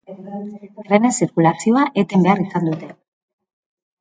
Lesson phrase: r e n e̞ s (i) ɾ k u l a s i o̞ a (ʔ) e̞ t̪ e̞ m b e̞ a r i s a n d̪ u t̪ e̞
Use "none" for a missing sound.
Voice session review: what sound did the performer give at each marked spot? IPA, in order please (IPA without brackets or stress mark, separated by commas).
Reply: i, ʔ